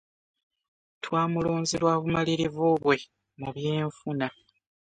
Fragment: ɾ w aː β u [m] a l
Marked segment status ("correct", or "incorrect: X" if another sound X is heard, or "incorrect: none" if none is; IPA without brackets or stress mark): correct